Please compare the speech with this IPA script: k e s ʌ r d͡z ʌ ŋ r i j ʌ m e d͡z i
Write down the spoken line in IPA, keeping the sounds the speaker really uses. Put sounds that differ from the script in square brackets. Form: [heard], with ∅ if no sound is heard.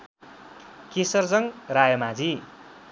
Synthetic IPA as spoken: k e s ʌ r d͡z ʌ ŋ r [a] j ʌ m [a] d͡z i